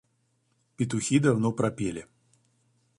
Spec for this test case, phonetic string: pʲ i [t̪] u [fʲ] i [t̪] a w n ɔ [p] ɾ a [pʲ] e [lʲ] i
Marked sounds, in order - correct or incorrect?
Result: correct, incorrect: xʲ, incorrect: d̪, correct, correct, correct

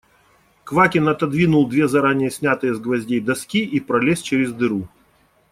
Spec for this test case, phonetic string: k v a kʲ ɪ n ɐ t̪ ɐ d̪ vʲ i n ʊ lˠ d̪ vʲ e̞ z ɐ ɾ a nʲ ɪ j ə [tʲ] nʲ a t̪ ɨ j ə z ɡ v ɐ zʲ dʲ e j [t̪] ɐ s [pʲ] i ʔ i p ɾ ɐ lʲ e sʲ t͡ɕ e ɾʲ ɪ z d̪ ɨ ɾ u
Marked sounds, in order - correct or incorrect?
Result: incorrect: sʲ, incorrect: d̪, incorrect: kʲ

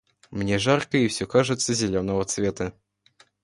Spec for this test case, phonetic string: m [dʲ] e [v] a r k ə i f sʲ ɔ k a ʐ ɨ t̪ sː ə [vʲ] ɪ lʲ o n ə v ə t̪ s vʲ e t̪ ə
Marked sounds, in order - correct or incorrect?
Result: incorrect: nʲ, incorrect: ʐ, incorrect: zʲ

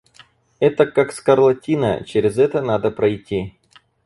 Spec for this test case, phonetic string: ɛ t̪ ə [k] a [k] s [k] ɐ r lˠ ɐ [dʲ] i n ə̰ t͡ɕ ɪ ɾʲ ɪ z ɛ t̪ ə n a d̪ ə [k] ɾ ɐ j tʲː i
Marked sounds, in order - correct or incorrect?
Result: correct, correct, correct, incorrect: tʲ, incorrect: p

